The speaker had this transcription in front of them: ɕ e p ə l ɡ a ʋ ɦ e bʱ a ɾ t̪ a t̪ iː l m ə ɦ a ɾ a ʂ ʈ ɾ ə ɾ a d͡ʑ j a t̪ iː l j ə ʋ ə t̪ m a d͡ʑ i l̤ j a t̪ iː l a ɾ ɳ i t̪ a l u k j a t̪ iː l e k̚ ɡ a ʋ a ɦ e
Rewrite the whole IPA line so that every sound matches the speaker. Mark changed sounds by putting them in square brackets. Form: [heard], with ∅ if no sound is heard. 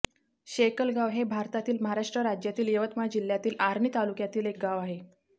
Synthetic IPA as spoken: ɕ e [k] ə l ɡ a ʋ ɦ e bʱ a ɾ t̪ a t̪ iː l m ə ɦ a ɾ a ʂ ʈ ɾ ə ɾ a d͡ʑ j a t̪ iː l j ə ʋ ə t̪ m a d͡ʑ i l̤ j a t̪ iː l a ɾ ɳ i t̪ a l u k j a t̪ iː l e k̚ ɡ a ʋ a ɦ e